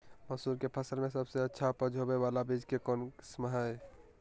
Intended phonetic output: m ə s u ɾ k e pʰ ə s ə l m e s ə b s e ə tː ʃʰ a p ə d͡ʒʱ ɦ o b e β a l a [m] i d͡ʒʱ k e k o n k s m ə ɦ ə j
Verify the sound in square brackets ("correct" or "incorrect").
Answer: incorrect